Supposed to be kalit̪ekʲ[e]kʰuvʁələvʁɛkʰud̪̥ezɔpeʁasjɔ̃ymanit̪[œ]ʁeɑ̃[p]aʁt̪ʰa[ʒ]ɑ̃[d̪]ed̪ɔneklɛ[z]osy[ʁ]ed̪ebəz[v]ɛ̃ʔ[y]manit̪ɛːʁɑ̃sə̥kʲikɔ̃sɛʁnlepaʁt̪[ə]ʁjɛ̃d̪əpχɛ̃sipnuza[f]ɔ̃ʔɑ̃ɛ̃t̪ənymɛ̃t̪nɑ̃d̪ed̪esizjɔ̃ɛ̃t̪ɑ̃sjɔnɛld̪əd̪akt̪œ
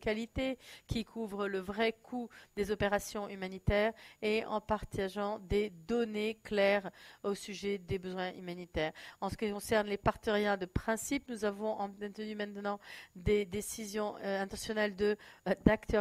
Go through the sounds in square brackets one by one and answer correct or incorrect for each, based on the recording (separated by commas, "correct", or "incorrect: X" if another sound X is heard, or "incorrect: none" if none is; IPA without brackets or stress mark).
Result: incorrect: i, incorrect: ɛ, correct, correct, correct, incorrect: ʁ, incorrect: ʒ, incorrect: w, correct, correct, incorrect: v